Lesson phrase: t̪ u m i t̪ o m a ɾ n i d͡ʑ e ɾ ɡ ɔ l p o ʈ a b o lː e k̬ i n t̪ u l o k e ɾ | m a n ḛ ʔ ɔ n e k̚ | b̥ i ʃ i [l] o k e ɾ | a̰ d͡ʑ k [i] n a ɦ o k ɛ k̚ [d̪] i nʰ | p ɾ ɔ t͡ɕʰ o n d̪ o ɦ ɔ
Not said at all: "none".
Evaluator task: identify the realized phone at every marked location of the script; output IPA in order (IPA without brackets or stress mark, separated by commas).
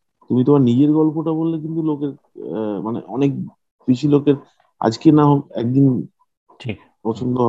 l, e, d̪